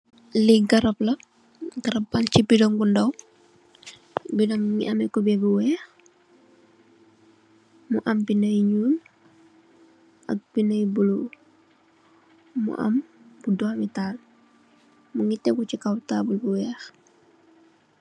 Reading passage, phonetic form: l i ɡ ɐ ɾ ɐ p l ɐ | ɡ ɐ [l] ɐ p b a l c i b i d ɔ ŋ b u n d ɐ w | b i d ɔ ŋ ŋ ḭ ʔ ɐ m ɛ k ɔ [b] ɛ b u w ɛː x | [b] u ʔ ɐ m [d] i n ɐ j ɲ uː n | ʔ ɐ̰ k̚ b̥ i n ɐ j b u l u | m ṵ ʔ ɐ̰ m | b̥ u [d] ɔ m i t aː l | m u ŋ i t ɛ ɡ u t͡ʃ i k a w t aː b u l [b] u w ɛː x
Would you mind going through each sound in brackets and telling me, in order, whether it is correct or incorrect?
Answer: incorrect: ɾ, correct, incorrect: m, incorrect: b, correct, correct

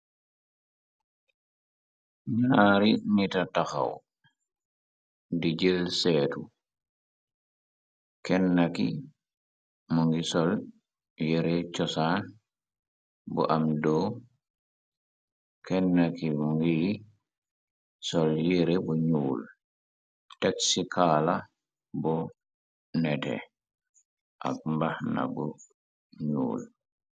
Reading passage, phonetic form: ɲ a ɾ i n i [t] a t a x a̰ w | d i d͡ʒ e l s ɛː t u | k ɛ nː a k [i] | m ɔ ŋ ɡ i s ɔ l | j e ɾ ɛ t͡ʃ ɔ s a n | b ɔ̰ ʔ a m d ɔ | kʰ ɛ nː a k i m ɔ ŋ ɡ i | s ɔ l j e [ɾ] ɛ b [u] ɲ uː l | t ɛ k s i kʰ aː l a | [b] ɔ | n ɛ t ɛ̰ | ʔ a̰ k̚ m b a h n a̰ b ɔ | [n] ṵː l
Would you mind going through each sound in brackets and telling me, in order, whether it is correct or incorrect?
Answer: correct, correct, correct, incorrect: ɔ, correct, incorrect: ɲ

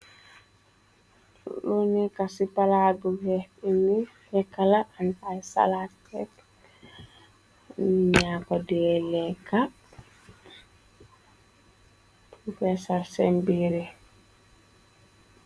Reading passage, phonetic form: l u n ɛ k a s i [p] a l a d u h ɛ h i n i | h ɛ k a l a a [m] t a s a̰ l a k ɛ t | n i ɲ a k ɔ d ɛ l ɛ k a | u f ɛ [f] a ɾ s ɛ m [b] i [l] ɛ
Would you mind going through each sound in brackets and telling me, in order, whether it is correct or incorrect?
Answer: correct, incorrect: n, incorrect: s, correct, incorrect: ɾ

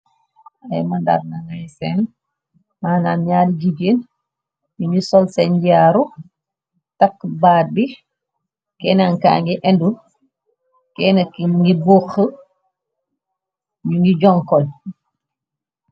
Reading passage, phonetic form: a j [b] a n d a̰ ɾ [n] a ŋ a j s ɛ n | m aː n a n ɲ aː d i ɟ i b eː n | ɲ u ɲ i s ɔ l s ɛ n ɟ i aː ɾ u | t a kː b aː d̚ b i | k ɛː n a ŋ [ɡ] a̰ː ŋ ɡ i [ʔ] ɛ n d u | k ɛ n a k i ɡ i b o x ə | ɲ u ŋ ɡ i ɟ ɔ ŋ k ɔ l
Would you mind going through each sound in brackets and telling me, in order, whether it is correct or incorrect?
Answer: incorrect: m, correct, incorrect: k, correct

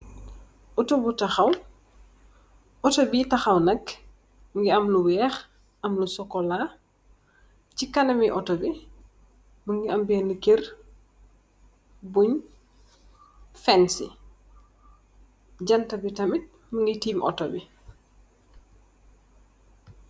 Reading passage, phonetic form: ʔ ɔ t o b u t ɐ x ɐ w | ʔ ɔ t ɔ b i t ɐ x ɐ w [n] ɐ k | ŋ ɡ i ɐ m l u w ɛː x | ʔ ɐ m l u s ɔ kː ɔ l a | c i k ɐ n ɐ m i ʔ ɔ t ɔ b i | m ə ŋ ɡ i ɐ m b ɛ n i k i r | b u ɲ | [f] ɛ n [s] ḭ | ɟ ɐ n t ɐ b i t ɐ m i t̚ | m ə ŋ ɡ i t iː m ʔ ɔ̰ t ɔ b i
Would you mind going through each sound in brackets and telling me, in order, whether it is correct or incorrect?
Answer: correct, correct, correct

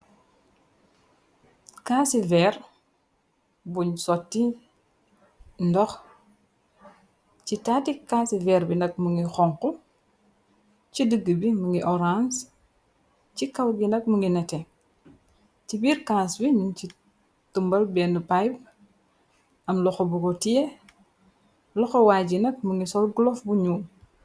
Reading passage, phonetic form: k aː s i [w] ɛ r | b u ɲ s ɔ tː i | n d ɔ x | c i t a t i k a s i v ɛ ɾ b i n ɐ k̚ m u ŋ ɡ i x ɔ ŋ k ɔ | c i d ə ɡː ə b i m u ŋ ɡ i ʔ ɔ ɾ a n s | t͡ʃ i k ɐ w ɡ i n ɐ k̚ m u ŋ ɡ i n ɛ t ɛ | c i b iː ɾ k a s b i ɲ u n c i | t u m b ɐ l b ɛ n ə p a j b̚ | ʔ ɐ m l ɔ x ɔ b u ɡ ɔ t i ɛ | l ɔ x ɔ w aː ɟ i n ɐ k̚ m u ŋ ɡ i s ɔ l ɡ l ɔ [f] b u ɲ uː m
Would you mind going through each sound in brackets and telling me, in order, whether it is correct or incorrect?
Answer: incorrect: v, correct

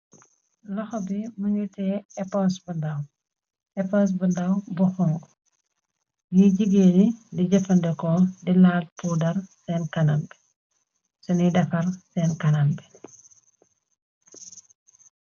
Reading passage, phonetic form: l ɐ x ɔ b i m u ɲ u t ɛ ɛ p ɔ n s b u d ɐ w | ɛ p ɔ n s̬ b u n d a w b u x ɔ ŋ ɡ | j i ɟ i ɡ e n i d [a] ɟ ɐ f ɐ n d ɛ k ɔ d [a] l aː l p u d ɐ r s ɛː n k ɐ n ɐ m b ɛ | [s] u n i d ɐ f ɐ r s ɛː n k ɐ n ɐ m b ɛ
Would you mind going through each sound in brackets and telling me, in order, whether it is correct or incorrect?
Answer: incorrect: i, incorrect: i, correct

